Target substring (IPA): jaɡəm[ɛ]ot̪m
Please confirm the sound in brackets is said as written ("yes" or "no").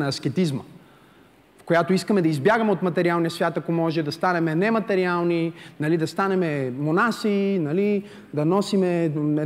yes